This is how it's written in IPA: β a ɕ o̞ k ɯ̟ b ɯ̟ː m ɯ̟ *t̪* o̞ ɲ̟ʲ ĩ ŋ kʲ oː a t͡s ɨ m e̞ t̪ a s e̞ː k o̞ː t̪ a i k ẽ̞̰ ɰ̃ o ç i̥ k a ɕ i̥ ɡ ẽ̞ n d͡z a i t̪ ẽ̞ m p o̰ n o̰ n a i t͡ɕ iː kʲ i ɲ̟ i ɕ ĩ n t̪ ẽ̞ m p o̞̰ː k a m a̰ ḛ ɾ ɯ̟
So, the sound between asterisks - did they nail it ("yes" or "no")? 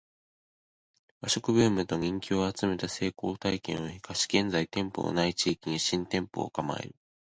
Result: yes